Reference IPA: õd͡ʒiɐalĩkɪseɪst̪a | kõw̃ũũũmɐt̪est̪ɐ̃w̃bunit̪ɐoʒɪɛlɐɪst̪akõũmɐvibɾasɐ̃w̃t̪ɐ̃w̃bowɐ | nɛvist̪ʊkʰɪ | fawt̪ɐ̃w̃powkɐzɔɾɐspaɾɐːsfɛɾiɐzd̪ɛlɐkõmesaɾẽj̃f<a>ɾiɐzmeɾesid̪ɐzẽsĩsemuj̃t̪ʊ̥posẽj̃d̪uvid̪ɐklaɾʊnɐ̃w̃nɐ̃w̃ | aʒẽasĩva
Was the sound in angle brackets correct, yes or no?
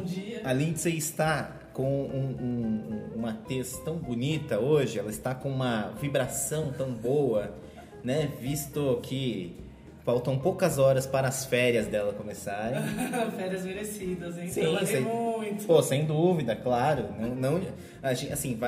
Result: no